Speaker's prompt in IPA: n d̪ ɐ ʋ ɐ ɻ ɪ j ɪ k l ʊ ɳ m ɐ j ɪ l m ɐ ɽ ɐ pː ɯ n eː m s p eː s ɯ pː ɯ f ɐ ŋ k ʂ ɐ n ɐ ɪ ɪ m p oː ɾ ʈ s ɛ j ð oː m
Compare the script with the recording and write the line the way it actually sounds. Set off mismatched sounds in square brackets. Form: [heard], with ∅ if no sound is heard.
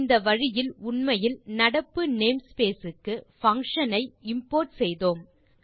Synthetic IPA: n d̪ ɐ ʋ ɐ ɻ ɪ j ɪ [∅] l ʊ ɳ m ɐ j ɪ l [n] ɐ ɽ ɐ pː ɯ n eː m s p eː s ɯ [kː] ɯ f ɐ ŋ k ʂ ɐ n ɐ ɪ ɪ m p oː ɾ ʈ s ɛ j ð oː m